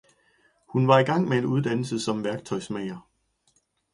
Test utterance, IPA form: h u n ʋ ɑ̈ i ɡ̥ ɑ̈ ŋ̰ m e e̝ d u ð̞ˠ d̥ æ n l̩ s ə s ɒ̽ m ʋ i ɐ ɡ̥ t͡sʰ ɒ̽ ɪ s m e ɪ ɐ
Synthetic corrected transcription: h u n ʋ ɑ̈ i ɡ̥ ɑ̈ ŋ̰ m e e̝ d u ð̞ˠ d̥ æ n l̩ s ə s ɒ̽ m ʋ æ ɐ ɡ̥ t͡sʰ ɒ̽ ɪ s m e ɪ ɐ

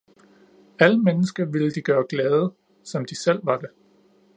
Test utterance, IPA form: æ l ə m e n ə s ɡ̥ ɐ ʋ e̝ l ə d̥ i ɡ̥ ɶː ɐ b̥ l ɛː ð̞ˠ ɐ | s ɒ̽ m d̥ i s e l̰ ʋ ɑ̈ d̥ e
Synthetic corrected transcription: æ l ə m e n ə s ɡ̥ ɐ ʋ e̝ l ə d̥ i ɡ̥ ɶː ɐ ɡ̥ l ɛː ð̞ˠ ə | s ɒ̽ m d̥ i s e l̰ ʋ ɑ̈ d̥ e

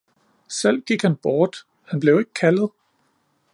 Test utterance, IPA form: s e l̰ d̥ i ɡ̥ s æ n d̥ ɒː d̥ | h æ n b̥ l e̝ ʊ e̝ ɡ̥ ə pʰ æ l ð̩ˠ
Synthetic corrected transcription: s e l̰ ɡ̥ i ɡ̥ h æ n b̥ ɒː d̥ | h æ n b̥ l e̝ ʊ e̝ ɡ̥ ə kʰ æ l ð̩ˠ

